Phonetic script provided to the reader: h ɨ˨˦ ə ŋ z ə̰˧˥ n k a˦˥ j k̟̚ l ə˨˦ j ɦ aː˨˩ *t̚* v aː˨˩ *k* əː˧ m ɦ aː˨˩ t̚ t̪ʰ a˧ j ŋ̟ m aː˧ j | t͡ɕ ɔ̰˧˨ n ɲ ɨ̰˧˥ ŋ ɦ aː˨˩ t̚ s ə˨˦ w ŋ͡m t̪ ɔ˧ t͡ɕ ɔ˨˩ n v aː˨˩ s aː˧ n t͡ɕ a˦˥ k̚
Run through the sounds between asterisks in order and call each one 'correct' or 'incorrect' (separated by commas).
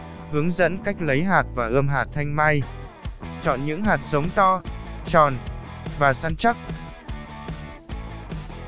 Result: correct, incorrect